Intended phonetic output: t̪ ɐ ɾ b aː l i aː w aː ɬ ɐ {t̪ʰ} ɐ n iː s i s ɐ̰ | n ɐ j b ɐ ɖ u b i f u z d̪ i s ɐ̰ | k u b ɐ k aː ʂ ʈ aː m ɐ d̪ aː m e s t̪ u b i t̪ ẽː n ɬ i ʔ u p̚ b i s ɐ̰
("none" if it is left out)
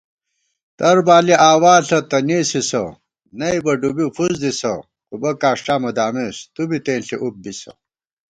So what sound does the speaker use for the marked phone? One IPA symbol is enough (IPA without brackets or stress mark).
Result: t̪